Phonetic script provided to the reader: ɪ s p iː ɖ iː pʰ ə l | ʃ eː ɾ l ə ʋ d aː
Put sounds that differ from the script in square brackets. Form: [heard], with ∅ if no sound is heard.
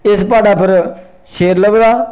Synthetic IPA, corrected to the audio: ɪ s p [aː] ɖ [aː] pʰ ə [ɾ] | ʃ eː ɾ l ə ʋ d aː